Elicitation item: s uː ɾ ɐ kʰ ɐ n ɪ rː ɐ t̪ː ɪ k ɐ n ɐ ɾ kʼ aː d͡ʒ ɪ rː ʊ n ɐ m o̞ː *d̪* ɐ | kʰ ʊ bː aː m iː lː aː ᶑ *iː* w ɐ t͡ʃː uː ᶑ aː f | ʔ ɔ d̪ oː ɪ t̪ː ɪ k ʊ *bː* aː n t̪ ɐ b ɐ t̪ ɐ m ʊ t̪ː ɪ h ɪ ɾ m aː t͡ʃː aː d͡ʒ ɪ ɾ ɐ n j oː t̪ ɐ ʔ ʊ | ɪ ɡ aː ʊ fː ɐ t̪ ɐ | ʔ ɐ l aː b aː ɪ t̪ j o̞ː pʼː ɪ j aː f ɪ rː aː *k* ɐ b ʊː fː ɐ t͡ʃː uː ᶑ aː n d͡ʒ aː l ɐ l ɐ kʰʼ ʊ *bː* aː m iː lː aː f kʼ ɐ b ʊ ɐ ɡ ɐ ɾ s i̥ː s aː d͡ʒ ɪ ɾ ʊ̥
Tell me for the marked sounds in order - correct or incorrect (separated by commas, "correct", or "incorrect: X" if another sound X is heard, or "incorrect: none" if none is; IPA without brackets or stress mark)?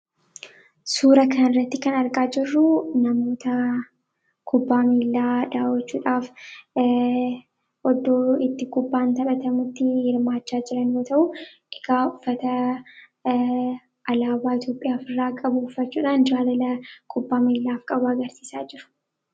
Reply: incorrect: t̪, incorrect: aː, correct, incorrect: kʼ, correct